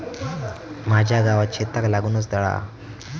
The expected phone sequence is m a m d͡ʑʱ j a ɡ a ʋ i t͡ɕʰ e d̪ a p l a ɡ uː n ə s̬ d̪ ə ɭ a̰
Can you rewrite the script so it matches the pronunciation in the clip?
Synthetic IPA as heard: m a d͡ʑʱ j a ɡ a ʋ a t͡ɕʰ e t̪ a k l a ɡ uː n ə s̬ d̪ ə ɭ a̰